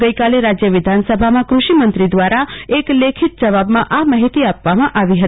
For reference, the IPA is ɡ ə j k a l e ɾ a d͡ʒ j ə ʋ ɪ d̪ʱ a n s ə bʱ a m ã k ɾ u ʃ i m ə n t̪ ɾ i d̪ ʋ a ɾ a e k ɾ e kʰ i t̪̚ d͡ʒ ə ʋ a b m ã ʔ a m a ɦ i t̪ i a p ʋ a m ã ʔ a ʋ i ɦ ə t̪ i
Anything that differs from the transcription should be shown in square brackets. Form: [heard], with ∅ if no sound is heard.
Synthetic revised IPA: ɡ ə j k a l e ɾ a d͡ʒ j ə ʋ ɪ d̪ʱ a n s ə bʱ a m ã k ɾ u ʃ i m ə n t̪ ɾ i d̪ ʋ a ɾ a e k [l] e kʰ i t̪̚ d͡ʒ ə ʋ a b m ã ʔ a m a ɦ i t̪ i a p ʋ a m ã ʔ a ʋ i ɦ ə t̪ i